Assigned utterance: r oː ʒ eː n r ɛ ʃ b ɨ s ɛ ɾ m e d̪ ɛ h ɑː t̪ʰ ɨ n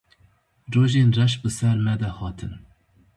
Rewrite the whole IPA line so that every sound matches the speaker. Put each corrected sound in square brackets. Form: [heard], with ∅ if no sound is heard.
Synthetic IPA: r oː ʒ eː n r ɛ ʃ b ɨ s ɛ ɾ m [ɛ] d̪ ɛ h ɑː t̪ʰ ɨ n

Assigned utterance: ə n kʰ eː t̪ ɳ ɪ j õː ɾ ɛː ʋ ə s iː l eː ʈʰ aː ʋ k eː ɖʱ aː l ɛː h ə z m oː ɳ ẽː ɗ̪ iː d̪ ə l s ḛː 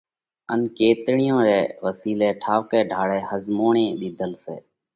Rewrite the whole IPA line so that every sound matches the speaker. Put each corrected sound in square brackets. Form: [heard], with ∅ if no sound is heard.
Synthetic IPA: ə n [k] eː t̪ ɳ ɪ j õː ɾ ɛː ʋ ə s iː l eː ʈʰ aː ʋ k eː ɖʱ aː [ɽ] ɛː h ə z m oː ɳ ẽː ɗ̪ iː d̪ ə l s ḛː

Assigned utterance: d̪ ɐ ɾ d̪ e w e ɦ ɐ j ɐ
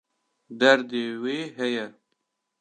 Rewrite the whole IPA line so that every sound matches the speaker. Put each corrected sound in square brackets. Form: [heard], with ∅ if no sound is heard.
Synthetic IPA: d̪ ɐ ɾ d̪ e w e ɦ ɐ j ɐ

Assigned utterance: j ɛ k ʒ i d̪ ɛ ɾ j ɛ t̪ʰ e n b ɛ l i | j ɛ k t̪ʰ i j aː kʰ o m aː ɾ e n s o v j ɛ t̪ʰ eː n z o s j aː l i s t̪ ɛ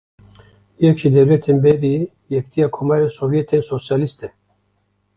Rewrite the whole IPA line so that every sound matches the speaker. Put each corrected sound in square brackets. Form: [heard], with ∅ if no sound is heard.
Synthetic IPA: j ɛ k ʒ i d̪ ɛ ɾ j ɛ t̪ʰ e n b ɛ [ɾ] i | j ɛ k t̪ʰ i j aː kʰ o m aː ɾ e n s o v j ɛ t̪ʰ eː n [s] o s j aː l i s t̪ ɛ

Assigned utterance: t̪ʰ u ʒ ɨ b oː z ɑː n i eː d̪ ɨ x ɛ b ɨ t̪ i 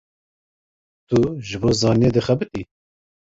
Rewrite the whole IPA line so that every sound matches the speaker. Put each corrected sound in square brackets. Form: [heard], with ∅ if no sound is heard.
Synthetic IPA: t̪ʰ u ʒ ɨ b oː z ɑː n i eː d̪ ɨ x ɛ b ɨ t̪ i

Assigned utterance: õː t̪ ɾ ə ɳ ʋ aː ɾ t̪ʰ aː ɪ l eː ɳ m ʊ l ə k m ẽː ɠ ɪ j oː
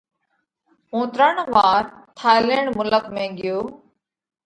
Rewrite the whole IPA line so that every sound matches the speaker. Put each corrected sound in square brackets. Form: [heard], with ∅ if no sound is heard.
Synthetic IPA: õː t̪ ɾ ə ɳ ʋ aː ɾ t̪ʰ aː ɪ l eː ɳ m ʊ l ə k m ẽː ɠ ɪ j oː

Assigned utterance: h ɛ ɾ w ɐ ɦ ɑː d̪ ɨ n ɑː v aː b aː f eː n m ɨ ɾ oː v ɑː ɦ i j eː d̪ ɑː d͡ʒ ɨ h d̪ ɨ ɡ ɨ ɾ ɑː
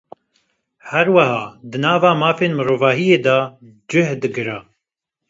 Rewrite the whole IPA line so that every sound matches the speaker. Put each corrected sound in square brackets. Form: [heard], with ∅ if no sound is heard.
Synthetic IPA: h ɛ ɾ w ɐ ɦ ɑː d̪ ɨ n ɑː v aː [m] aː f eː n m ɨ ɾ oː v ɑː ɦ i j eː d̪ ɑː d͡ʒ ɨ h d̪ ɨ ɡ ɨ ɾ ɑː

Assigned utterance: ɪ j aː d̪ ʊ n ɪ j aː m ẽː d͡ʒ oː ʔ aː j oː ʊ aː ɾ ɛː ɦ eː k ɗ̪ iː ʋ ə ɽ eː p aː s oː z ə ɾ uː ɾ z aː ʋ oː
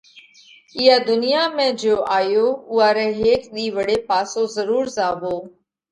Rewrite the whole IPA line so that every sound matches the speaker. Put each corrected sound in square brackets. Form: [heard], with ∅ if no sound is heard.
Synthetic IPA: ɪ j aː d̪ ʊ n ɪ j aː m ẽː d͡ʒ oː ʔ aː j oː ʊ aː ɾ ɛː ɦ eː k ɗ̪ iː ʋ ə ɽ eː p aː s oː z ə ɾ uː ɾ z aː ʋ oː

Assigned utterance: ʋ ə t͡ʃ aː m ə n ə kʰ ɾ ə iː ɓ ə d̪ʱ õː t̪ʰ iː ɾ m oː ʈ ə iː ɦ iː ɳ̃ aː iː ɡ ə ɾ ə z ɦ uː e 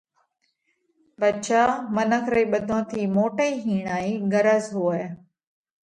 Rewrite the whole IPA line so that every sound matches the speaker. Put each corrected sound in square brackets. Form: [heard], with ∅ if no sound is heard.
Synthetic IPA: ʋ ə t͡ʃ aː m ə n ə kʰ ɾ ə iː ɓ ə d̪ʱ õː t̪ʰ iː [∅] m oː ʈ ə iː ɦ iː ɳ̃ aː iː ɡ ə ɾ ə z ɦ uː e

